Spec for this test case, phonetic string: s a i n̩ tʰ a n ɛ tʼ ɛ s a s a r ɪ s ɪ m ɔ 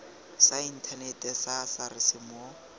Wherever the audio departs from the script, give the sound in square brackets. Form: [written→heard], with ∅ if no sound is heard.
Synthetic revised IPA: s a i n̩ tʰ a n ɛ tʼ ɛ s a s a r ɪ s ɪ m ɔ